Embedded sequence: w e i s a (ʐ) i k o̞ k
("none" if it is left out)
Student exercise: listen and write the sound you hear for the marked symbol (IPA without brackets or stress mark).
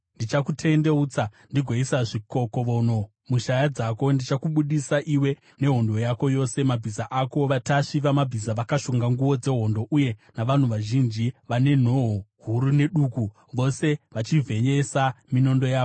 ʐ